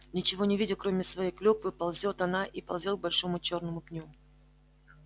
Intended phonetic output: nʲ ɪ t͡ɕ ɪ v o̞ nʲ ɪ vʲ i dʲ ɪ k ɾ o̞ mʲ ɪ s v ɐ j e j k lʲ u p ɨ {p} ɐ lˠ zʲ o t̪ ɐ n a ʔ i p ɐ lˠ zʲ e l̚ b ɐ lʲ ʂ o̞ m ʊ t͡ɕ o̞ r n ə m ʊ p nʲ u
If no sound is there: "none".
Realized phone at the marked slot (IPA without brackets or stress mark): p